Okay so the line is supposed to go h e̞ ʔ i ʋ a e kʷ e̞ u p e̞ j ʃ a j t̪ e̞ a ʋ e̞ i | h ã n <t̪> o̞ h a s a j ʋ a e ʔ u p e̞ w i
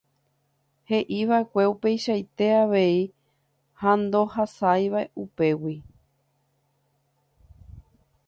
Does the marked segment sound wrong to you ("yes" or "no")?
yes